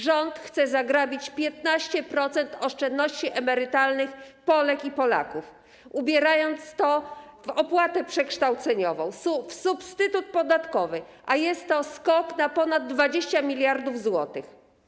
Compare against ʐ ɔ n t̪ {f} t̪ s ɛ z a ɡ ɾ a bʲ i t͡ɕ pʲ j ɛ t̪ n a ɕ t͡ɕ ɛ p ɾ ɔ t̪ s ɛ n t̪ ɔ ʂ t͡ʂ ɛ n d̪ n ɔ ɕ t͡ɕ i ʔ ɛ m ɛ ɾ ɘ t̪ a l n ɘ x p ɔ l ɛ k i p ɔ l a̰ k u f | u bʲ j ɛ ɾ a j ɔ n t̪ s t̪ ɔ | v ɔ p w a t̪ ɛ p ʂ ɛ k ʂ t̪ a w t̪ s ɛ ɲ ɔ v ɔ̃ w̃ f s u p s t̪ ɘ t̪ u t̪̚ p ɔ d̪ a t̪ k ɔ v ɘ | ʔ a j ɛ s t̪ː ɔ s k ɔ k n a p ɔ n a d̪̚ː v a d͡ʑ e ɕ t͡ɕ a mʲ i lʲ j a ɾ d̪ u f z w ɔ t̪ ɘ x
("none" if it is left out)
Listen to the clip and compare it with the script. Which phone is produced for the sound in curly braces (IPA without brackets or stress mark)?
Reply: x